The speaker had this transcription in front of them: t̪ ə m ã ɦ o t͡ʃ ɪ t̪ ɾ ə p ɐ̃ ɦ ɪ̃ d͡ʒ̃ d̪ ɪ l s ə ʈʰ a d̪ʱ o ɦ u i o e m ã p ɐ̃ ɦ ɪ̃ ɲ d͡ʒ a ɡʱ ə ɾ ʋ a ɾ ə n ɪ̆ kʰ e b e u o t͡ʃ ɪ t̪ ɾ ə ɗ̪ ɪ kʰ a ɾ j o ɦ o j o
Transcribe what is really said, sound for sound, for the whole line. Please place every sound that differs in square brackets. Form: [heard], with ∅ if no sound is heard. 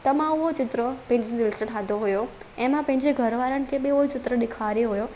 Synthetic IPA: t̪ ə m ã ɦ o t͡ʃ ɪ t̪ ɾ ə p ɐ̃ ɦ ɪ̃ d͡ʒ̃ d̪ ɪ l s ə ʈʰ a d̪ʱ o ɦ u [j] o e m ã p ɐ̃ ɦ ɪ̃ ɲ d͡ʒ [e] ɡʱ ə ɾ ʋ a ɾ ə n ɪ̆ kʰ e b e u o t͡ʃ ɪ t̪ ɾ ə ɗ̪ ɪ kʰ a ɾ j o ɦ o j o